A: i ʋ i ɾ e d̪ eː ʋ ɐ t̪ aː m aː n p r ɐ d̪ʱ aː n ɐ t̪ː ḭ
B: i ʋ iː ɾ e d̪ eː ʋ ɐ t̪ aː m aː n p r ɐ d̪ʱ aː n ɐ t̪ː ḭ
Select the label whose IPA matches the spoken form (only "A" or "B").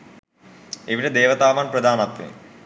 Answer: A